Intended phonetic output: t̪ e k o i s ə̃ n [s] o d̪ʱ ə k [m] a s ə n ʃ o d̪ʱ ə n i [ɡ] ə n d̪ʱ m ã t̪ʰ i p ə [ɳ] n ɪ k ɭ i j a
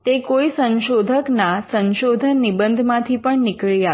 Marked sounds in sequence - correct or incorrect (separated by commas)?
incorrect, incorrect, incorrect, correct